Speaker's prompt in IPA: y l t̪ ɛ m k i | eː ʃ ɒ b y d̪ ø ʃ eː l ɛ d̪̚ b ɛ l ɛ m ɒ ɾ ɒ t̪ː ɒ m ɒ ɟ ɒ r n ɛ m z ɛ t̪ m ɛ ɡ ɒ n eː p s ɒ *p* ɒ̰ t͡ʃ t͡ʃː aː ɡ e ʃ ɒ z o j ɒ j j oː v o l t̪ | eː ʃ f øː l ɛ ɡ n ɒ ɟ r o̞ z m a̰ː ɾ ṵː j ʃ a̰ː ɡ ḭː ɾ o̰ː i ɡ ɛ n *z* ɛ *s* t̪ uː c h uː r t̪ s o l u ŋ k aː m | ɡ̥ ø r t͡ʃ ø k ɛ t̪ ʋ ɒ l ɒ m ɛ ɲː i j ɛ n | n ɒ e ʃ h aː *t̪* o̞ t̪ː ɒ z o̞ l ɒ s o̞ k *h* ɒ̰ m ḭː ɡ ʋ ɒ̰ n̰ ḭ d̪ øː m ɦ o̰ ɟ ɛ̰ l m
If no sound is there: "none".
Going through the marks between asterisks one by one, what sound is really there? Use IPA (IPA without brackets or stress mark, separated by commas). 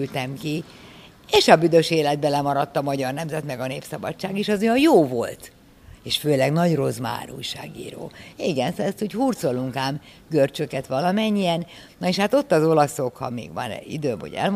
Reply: b, s, s, t̪, h